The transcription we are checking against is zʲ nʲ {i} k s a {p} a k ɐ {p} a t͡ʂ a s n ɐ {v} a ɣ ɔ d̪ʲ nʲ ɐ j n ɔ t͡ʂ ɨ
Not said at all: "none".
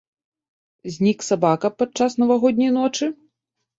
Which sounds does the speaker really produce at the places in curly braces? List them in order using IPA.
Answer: i, b, p, v

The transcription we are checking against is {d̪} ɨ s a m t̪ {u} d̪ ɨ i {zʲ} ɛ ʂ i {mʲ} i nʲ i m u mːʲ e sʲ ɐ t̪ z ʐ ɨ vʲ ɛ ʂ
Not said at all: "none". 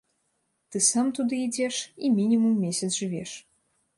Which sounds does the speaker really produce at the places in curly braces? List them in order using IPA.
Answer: t̪, u, d͡zʲ, mʲ

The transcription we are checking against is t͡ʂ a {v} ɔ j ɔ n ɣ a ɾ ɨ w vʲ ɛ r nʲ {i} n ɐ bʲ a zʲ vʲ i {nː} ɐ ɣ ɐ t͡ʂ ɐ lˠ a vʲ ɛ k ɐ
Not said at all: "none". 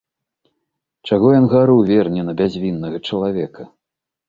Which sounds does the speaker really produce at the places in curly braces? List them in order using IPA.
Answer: ɣ, ɛ, nː

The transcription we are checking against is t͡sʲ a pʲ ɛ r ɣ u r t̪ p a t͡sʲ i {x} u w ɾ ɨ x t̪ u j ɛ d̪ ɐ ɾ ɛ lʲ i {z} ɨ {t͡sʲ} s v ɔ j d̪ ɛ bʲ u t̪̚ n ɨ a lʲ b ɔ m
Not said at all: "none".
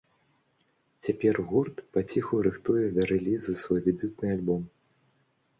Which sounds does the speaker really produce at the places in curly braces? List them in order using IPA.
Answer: x, z, none

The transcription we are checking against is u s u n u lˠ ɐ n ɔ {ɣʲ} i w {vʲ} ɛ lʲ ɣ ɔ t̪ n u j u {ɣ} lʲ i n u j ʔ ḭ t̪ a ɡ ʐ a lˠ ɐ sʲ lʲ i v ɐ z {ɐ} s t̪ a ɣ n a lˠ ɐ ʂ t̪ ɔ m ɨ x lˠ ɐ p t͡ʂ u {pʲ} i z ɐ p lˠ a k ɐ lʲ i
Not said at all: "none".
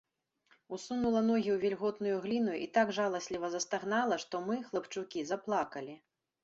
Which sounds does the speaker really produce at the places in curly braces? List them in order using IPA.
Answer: ɣʲ, vʲ, ɣ, ɐ, kʲ

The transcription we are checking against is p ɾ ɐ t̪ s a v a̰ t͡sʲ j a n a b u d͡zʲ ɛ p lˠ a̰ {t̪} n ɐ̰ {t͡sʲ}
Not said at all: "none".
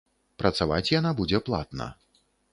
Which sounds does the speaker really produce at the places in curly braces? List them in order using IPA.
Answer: t̪, none

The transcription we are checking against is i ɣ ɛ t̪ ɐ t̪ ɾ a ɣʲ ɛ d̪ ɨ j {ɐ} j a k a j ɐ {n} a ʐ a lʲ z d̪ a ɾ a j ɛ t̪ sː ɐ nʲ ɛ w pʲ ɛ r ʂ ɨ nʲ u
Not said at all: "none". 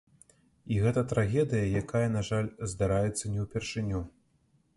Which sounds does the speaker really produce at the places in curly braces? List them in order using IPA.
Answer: ɐ, n

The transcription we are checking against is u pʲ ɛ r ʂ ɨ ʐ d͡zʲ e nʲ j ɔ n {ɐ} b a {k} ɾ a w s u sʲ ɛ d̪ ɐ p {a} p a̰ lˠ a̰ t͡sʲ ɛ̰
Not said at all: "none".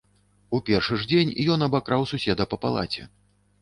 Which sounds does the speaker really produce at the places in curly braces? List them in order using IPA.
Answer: ɐ, k, ɐ

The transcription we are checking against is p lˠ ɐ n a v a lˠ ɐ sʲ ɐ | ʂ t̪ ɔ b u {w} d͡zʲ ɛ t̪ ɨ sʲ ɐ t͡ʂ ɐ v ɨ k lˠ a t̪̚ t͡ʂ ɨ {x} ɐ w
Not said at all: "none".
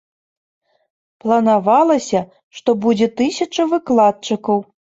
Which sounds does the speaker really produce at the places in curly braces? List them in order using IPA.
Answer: none, k

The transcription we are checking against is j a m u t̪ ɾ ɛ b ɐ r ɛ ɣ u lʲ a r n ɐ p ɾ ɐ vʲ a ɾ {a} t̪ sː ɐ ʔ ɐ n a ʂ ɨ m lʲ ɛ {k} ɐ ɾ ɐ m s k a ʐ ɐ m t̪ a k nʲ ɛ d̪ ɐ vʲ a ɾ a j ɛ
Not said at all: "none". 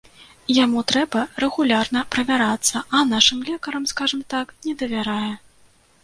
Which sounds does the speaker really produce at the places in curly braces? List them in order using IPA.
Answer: a, k

